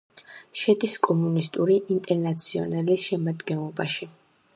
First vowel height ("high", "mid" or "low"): mid